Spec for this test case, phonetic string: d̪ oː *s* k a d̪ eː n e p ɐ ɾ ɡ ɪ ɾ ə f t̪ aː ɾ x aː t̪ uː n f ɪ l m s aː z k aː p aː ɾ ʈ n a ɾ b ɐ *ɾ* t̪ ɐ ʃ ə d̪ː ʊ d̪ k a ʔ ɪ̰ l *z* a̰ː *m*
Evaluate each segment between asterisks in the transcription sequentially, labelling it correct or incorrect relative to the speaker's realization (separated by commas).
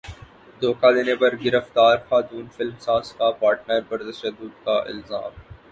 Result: incorrect, correct, correct, correct